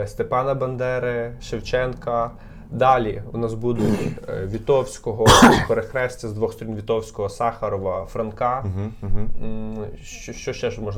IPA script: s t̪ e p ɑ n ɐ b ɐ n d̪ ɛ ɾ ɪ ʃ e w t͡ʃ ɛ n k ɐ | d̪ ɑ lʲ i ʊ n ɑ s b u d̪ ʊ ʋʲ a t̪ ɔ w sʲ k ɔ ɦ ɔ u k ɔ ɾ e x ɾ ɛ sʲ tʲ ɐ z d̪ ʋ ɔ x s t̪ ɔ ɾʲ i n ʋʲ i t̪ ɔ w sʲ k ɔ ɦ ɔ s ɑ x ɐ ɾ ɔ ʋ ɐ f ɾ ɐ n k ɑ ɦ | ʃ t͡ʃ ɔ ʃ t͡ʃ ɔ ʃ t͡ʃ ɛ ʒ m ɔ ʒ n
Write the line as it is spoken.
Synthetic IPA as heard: s t̪ e p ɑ n ɐ b ɐ n d̪ ɛ ɾ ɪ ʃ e w t͡ʃ ɛ n k ɐ | d̪ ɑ lʲ i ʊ n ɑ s b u d̪ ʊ ʋʲ i t̪ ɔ w sʲ k ɔ ɦ ɔ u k ɔ ɾ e x ɾ ɛ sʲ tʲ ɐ z d̪ ʋ ɔ x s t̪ ɔ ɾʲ i n ʋʲ i t̪ ɔ w sʲ k ɔ ɦ ɔ s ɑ x ɐ ɾ ɔ ʋ ɐ f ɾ ɐ n k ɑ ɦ | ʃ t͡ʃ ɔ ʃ t͡ʃ ɔ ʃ t͡ʃ ɛ ʒ m ɔ ʒ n